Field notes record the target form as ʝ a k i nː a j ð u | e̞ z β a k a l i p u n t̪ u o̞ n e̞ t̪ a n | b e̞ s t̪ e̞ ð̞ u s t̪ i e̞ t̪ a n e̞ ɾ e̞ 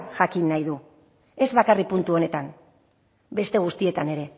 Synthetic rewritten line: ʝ a k i nː a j ð u | e̞ z β a k a r i p u n t̪ u o̞ n e̞ t̪ a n | b e̞ s t̪ e̞ ɣ̞ u s t̪ i e̞ t̪ a n e̞ ɾ e̞